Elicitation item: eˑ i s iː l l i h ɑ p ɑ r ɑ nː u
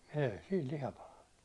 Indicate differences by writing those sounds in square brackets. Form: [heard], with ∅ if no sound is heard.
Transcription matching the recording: eˑ i s iː l l i h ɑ p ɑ [l] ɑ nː u